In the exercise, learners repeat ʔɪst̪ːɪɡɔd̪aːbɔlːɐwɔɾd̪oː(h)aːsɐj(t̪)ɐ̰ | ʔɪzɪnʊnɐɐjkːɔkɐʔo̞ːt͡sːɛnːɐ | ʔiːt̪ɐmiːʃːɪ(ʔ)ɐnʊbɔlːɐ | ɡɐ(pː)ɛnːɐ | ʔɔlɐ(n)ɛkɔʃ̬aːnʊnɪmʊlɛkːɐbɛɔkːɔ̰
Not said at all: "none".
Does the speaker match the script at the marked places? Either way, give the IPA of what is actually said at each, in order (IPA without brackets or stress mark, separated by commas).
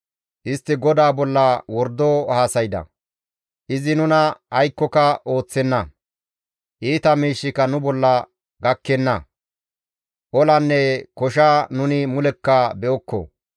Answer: h, d̪, k, kː, nː